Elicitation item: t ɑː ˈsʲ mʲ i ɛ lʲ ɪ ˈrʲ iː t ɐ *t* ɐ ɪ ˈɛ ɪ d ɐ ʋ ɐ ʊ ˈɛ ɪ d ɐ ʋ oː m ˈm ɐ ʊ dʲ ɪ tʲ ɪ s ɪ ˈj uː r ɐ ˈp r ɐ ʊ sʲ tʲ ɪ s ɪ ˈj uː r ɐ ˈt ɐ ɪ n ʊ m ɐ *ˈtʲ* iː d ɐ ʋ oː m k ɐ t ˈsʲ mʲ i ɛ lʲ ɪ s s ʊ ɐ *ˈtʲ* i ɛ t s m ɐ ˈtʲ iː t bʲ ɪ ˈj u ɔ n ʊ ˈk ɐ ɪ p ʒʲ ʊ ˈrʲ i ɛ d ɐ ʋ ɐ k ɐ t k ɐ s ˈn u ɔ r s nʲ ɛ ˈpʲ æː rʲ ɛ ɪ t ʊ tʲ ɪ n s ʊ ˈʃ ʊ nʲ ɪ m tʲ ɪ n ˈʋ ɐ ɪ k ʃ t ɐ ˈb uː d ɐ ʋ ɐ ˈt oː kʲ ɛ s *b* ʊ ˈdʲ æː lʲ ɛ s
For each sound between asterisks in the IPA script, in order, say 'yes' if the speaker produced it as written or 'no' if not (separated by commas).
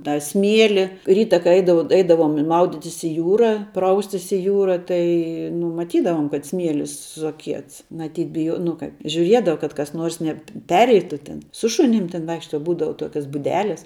no, yes, no, yes